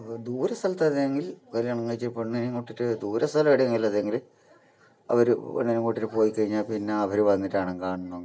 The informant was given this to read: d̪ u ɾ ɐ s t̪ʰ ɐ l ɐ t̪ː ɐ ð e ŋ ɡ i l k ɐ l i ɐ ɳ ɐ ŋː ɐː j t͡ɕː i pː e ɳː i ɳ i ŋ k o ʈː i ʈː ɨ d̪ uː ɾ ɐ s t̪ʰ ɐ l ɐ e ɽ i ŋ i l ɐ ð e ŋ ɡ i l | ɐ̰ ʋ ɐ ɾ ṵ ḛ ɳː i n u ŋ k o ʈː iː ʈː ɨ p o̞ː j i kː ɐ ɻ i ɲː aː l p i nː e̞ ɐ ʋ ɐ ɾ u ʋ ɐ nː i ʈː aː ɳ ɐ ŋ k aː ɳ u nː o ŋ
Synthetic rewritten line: d̪ uː ɾ ɐ s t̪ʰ ɐ l ɐ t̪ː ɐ ð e ŋ ɡ i l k ɐ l i ɐ ɳ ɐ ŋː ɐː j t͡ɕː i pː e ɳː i n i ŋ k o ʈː i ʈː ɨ d̪ uː ɾ ɐ s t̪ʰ ɐ l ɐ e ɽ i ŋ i l ɐ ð e ŋ ɡ i l | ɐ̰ ʋ ɐ ɾ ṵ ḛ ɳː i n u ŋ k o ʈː i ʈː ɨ p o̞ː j i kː ɐ ɻ i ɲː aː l p i nː e̞ ɐ ʋ ɐ ɾ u ʋ ɐ nː i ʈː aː ɳ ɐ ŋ k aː ɳ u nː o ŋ